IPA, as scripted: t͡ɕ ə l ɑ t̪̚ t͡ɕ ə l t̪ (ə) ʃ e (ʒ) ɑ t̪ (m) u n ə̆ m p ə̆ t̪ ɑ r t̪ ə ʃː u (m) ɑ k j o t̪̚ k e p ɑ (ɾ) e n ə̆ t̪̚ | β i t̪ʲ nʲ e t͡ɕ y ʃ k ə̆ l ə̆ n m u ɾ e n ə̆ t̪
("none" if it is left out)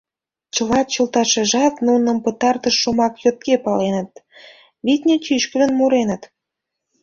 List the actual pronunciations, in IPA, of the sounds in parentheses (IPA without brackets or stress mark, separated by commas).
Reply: ɑ, ʒ, n, m, l